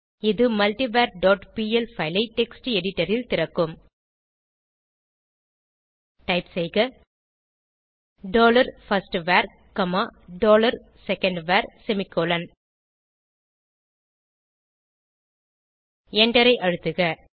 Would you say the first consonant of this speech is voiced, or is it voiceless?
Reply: voiced